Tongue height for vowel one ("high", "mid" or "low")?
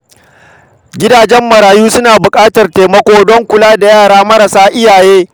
high